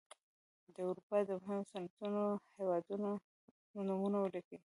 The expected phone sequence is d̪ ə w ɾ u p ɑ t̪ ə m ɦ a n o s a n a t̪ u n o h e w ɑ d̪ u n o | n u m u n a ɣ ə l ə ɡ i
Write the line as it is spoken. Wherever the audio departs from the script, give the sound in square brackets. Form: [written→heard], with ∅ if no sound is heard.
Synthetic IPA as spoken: d̪ ə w ɾ u p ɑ [t̪→d̪] ə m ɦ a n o s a n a t̪ u n o h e w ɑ d̪ u n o | n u m u n a [ɣ→w] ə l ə [ɡ→k] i